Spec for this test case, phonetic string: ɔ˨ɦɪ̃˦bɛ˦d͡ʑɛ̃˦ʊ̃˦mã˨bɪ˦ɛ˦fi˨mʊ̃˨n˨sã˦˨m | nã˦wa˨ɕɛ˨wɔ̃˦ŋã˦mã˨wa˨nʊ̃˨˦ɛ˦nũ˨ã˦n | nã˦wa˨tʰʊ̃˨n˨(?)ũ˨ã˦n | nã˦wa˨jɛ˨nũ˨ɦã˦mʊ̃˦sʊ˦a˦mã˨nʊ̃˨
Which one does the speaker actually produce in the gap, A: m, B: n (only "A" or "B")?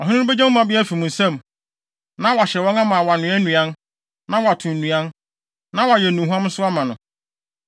B